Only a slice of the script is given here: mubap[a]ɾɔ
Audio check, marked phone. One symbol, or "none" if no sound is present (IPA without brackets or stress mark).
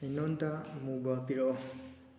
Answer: i